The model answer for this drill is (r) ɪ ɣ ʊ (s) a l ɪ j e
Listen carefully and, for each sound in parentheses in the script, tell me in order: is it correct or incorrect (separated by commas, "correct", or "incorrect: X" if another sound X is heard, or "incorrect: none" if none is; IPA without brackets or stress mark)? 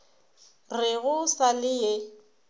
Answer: correct, correct